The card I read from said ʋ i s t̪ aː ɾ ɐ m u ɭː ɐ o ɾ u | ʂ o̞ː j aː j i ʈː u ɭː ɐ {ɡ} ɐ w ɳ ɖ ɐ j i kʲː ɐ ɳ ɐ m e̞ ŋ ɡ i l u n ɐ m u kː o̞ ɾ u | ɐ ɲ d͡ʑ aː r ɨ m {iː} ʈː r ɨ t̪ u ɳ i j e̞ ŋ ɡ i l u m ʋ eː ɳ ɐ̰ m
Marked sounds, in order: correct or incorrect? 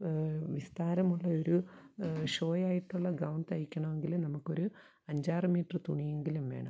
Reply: correct, correct

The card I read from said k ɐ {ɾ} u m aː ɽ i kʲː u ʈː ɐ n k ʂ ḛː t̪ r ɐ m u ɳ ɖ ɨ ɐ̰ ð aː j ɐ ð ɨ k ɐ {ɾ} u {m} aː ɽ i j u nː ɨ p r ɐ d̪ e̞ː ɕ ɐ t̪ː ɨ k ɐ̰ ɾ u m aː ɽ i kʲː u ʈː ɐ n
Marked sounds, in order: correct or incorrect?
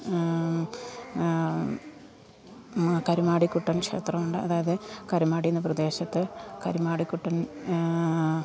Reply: correct, correct, correct

